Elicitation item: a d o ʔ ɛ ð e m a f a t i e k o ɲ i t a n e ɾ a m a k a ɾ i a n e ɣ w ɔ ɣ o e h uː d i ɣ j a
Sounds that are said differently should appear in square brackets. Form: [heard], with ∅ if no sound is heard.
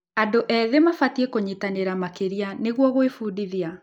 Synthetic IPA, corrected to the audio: a d o ʔ ɛ ð e m a f a t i e k o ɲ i t a n e ɾ a m a k [e] ɾ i a n e ɣ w ɔ ɣ o e [f] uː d i [ð] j a